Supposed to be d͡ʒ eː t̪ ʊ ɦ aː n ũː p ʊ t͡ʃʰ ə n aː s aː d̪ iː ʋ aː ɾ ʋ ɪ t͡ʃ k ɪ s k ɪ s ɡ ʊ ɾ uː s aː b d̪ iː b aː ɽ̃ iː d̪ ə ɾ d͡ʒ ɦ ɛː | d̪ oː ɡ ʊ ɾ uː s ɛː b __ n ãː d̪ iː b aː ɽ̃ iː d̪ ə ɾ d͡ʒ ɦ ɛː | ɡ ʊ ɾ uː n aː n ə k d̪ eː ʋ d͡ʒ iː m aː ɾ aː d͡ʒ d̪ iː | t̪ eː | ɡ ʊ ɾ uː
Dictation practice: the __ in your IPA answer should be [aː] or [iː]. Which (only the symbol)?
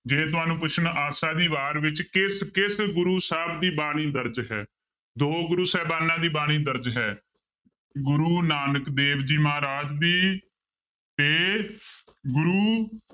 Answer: aː